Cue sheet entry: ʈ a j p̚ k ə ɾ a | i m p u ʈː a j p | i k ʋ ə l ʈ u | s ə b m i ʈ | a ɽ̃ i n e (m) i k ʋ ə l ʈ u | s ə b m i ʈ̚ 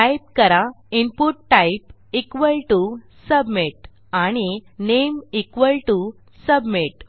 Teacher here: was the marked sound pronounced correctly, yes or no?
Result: yes